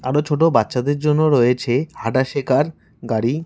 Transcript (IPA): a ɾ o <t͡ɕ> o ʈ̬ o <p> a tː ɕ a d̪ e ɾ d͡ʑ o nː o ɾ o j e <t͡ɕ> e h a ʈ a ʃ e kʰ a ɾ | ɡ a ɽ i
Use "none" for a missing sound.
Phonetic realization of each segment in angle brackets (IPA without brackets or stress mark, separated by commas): t͡ɕʰ, b, t͡ɕʰ